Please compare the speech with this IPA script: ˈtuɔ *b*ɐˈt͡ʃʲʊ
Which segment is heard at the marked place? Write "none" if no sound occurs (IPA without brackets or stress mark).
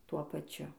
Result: p